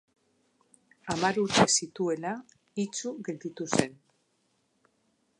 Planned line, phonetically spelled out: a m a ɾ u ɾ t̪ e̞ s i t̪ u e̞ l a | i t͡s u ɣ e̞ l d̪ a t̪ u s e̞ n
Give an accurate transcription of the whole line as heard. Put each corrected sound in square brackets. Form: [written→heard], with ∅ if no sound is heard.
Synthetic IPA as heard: a m a ɾ u ɾ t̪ e̞ s i t̪ u e̞ l a | i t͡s u ɣ e̞ l d̪ [a→i] t̪ u s e̞ n